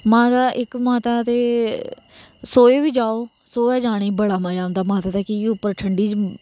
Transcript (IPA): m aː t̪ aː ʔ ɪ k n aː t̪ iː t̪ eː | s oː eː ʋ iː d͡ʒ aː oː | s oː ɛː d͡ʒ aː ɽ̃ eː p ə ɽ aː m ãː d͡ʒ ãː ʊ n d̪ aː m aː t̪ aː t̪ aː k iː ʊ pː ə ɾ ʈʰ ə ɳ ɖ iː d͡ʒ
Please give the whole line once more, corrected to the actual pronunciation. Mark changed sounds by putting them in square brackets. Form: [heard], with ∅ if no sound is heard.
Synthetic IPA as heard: m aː t̪ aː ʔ ɪ k [m] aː t̪ [aː] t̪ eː | s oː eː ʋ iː d͡ʒ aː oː | s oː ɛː d͡ʒ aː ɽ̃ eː [b] ə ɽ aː m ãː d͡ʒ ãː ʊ n d̪ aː m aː t̪ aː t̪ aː k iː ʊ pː ə ɾ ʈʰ ə ɳ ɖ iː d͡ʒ